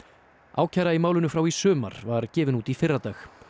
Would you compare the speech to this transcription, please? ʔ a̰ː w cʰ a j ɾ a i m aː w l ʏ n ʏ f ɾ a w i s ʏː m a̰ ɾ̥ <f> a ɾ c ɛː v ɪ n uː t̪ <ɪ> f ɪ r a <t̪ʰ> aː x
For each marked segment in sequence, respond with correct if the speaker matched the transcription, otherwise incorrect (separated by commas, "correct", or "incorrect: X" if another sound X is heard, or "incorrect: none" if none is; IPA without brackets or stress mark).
incorrect: v, incorrect: i, incorrect: t̪